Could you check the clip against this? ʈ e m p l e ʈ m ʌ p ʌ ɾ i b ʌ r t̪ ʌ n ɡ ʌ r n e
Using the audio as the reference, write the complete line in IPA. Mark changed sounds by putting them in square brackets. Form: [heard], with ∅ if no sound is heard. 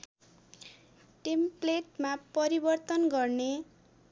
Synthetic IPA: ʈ e m p l e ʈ m [a] p ʌ ɾ i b ʌ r t̪ ʌ n ɡ ʌ r n e